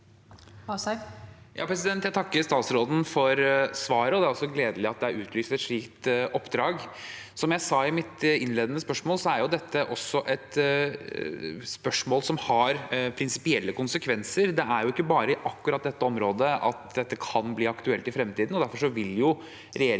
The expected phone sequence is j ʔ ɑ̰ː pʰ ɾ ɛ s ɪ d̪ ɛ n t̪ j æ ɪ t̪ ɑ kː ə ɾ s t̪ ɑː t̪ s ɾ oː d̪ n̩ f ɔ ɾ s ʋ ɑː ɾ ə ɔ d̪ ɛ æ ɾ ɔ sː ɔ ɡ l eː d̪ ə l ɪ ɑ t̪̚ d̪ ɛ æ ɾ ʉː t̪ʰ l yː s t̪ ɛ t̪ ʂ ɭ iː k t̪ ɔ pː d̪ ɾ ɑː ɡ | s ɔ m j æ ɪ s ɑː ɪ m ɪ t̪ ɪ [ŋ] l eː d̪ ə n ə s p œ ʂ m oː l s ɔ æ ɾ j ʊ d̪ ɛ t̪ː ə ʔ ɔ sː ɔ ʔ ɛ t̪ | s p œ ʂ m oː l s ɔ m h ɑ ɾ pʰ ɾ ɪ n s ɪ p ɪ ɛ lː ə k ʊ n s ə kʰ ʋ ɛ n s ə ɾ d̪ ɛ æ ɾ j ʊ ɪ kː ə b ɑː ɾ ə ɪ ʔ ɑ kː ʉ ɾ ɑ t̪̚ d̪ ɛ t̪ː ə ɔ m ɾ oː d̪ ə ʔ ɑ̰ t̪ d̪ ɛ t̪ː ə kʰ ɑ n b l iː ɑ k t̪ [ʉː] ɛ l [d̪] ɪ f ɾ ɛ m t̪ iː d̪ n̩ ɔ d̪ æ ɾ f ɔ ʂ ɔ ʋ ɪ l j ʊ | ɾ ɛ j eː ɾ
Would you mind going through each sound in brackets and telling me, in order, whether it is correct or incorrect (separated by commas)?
incorrect, incorrect, incorrect